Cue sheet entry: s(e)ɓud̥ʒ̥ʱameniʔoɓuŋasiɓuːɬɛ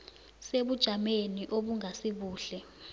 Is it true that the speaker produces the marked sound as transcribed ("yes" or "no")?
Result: yes